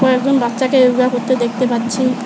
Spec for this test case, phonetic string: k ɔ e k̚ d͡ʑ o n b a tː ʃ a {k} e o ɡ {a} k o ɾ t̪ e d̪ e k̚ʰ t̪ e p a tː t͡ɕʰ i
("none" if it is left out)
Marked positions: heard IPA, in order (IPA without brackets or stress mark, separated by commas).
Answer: k, a